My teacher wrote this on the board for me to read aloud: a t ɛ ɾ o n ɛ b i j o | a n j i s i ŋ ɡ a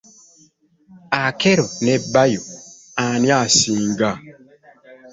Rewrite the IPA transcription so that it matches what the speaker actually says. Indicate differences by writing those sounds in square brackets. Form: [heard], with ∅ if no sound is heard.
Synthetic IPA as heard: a [k] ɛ ɾ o n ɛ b [a] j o | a n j [a] s i ŋ ɡ a

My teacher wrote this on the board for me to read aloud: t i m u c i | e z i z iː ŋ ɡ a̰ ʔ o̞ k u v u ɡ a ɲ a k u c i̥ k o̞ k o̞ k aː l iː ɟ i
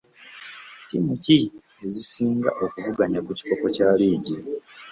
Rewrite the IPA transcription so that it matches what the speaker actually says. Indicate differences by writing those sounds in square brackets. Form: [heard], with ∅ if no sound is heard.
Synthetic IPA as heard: t i m u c i | e z i [s] iː ŋ ɡ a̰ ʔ o̞ k u v u ɡ a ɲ a k u c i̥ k o̞ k o̞ [c] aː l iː ɟ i

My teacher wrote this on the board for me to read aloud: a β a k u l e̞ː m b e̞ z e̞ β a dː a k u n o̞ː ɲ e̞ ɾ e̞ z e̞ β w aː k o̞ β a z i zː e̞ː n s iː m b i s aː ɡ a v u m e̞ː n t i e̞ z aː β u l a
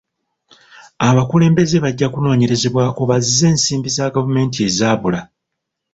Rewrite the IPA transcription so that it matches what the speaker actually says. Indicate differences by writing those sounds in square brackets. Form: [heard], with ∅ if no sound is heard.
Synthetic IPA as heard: a β a k u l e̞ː m b e̞ z e̞ β a [ɟː] a k u n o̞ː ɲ e̞ ɾ e̞ z e̞ β w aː k o̞ β a z i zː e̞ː n s iː m b i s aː ɡ a v u m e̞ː n t i e̞ z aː β u l a

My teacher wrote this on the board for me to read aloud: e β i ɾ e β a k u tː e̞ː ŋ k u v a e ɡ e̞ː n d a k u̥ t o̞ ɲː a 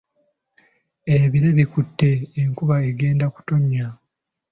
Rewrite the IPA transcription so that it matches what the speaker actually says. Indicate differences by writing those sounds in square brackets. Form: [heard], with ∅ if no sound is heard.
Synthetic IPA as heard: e β i ɾ e β [i] k u tː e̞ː ŋ k u [β] a e ɡ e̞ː n d a k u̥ t o̞ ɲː a

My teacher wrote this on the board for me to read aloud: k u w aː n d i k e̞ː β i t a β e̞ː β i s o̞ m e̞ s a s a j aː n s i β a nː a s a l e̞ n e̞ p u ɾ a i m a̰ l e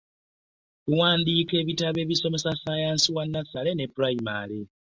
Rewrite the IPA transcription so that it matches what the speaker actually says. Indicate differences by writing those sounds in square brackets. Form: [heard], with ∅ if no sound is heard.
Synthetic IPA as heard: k u w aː n d i k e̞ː β i t a β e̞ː β i s o̞ m e̞ s a s a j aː n s i [w] a nː a s a l e̞ n e̞ p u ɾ a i m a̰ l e

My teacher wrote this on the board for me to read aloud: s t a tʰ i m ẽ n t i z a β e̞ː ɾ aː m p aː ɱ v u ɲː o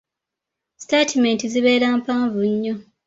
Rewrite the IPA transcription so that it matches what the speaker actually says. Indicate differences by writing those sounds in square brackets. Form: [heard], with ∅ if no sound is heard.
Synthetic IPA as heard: s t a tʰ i m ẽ n t i z [i] β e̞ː ɾ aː m p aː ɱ v u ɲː o

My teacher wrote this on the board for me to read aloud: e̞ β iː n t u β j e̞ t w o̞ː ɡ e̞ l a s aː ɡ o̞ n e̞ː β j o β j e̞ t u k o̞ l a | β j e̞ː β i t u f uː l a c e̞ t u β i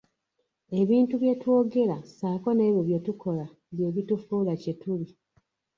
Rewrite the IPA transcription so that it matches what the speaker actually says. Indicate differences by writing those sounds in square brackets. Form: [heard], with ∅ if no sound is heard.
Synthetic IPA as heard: e̞ β iː n t u β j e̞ t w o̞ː ɡ e̞ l a s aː [k] o̞ n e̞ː β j o β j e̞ t u k o̞ l a | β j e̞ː β i t u f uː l a c e̞ t u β i

